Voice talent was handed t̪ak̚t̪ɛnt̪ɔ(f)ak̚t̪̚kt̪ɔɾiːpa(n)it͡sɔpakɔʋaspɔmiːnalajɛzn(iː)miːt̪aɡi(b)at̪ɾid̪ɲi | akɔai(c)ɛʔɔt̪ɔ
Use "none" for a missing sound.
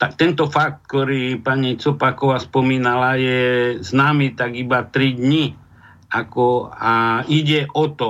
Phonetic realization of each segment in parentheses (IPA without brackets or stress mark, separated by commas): f, ɲ, aː, b, ɟ